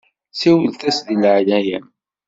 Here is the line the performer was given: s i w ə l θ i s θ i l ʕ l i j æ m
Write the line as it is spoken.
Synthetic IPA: s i w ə l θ æ s ð i l ʕ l æ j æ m